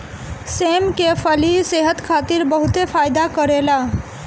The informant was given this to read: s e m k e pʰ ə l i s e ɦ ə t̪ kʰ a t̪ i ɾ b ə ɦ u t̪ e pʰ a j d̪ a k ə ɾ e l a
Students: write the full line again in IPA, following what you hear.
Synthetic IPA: s e m k e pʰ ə l i s e ɦ ə t̪ kʰ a t̪ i ɾ b ə ɦ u t̪ e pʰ a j d̪ a k ə ɾ e l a